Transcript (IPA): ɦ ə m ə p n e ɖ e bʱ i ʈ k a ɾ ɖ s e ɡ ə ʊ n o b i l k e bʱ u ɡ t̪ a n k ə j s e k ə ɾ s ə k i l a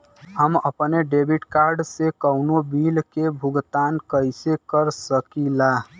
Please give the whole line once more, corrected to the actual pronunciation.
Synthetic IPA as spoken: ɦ ə m ə p n e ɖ e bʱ i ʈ k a ɾ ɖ s e k ə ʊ n o b i l k e bʱ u ɡ t̪ a n k ə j s e k ə ɾ s ə k i l a